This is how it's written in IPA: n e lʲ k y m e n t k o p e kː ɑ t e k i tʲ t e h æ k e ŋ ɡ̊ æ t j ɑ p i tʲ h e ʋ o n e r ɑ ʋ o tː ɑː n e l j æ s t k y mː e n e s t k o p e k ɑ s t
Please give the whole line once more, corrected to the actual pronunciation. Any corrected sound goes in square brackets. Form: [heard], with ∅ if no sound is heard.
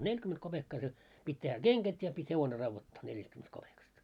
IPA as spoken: n e lʲ k y m e n t k o p e kː ɑ [s] e [p] i tʲ t e h æ k e ŋ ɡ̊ æ t j ɑ p i tʲ h e ʋ o n e r ɑ [ʋː] o tː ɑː n e l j æ s t k y mː e n e s t k o p e k ɑ s t